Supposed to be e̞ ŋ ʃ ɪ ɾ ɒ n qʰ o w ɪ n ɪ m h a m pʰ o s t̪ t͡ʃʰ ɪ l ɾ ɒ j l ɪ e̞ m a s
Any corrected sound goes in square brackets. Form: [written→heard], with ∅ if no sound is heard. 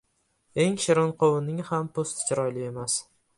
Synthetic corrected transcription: e̞ ŋ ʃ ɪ ɾ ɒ n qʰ o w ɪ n ɪ [m→ŋ] h a m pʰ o s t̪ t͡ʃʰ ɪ [l→∅] ɾ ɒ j l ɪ e̞ m a s